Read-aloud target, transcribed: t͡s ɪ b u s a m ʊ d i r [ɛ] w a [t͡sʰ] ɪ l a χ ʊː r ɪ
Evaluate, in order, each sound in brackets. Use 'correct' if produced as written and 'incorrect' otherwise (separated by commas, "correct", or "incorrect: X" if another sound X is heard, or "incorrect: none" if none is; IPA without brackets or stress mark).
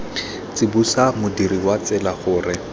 incorrect: i, incorrect: t͡s